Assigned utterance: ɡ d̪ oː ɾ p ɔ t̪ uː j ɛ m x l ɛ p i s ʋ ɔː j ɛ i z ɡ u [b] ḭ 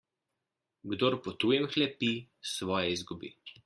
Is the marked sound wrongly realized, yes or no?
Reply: no